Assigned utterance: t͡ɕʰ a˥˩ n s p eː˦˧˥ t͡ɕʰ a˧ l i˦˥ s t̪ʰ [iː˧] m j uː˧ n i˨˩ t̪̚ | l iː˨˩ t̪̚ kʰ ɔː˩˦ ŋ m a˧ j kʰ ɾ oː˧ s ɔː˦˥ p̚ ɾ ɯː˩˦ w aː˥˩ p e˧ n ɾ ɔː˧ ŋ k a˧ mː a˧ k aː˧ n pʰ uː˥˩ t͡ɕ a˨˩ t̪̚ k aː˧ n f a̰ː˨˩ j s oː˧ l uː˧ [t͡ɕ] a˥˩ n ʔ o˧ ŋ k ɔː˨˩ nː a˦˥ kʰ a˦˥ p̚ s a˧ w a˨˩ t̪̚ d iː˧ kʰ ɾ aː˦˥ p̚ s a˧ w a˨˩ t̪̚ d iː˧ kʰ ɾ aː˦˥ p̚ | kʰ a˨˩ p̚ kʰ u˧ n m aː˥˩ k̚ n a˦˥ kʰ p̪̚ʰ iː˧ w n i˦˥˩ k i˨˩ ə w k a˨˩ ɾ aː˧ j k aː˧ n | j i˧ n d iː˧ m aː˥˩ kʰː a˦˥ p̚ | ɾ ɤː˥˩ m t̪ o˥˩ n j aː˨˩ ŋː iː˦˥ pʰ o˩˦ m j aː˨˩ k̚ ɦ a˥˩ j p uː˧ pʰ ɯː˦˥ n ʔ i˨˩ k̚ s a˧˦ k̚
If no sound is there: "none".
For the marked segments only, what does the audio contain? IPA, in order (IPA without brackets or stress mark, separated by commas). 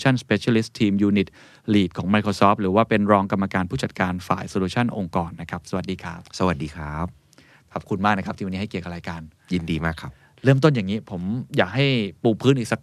iː˧, t͡ɕʰ